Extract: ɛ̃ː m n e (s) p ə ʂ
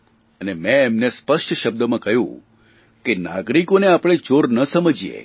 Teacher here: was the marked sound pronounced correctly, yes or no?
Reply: yes